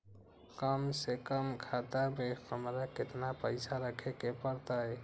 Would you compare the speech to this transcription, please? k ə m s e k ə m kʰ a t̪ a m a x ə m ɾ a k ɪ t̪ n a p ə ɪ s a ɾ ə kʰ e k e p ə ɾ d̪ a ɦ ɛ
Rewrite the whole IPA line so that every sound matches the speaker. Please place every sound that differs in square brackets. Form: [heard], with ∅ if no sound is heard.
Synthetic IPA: k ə m s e k ə m kʰ a t̪ a m [e] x ə m ɾ a k ɪ t̪ n a p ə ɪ s a ɾ ə kʰ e k e p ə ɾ [t̪] a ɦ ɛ